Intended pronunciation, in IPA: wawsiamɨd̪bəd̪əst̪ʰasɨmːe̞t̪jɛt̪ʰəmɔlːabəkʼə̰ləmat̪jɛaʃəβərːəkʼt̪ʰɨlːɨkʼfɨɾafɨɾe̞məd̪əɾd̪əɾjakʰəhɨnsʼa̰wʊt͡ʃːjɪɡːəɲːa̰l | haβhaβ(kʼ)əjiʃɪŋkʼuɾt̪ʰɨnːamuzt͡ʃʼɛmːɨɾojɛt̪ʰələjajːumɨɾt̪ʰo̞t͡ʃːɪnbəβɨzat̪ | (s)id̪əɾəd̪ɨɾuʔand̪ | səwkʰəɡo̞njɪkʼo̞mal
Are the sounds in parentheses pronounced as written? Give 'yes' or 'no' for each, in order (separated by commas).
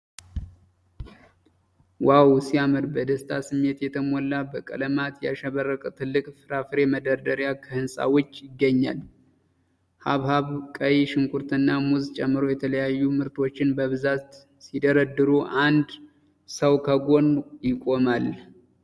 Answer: yes, yes